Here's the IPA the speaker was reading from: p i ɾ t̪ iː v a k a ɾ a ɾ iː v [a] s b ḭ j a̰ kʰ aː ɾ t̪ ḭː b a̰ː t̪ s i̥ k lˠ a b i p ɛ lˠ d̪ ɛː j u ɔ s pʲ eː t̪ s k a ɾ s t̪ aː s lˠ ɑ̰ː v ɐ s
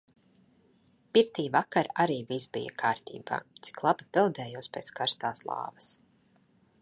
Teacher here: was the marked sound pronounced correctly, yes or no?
no